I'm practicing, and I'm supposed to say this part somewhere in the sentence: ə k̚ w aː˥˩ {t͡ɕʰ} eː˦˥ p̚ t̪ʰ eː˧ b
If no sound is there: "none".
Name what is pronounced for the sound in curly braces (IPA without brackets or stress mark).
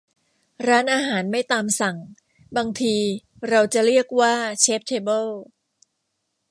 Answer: t͡ɕʰ